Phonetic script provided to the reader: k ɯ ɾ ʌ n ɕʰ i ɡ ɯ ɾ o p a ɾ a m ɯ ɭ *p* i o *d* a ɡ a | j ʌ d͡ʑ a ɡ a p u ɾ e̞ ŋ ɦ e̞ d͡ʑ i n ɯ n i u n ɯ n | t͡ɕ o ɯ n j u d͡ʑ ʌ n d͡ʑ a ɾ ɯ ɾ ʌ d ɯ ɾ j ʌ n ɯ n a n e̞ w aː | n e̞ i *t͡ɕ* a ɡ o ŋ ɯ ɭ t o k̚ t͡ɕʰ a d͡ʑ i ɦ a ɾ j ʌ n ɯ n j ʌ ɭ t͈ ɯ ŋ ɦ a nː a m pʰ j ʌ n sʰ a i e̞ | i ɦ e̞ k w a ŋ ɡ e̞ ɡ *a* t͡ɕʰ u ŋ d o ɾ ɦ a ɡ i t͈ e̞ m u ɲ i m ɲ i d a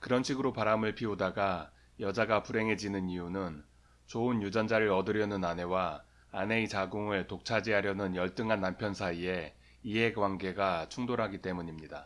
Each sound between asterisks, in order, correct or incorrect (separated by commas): incorrect, correct, correct, correct